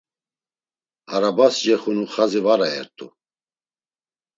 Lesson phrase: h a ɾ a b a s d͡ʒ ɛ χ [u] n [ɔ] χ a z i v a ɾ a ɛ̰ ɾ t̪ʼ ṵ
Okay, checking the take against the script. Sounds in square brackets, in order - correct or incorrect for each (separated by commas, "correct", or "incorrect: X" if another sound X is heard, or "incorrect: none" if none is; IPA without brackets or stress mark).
correct, incorrect: u